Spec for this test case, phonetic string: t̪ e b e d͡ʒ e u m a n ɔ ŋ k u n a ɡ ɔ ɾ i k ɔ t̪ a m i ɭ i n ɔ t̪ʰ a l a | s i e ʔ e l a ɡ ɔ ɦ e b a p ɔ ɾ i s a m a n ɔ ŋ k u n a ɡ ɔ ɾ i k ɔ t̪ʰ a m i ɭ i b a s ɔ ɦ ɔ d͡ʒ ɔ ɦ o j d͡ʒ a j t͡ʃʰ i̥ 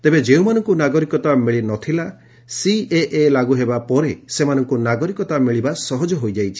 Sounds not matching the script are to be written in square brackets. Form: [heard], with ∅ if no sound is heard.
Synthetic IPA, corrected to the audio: t̪ e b e d͡ʒ e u m a n ɔ ŋ k u n a ɡ ɔ ɾ i k ɔ t̪ a m i ɭ i n ɔ t̪ʰ [i] l a | s i e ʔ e l a ɡ [u] ɦ e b a p ɔ ɾ [e] s [e] m a n ɔ ŋ k u n a ɡ ɔ ɾ i k ɔ [t̪] a m i ɭ i b a s ɔ ɦ ɔ d͡ʒ ɔ ɦ o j d͡ʒ a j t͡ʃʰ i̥